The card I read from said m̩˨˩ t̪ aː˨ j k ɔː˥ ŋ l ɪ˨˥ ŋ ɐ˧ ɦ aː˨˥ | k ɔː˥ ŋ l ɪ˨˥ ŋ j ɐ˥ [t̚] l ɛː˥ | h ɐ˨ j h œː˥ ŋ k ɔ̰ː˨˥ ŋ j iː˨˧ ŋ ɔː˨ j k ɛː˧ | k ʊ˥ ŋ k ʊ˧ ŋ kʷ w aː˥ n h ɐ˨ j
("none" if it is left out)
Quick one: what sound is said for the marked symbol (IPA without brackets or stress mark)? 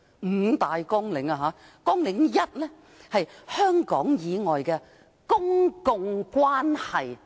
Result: t̚